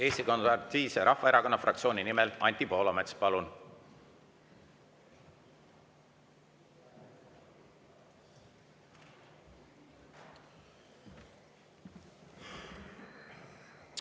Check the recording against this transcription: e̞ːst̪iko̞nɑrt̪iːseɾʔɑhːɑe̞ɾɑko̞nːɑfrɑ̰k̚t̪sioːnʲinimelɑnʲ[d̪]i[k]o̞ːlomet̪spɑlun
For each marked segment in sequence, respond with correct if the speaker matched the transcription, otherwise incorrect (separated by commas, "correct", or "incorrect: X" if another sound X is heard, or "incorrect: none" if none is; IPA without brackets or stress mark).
incorrect: t̪, incorrect: p